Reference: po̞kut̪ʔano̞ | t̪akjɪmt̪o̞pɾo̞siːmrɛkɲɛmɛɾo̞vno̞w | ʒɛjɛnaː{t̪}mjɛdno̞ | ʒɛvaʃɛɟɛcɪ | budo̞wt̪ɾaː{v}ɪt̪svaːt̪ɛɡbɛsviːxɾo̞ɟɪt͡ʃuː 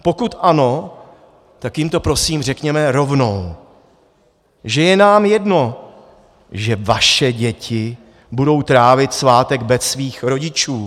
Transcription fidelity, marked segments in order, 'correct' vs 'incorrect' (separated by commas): incorrect, correct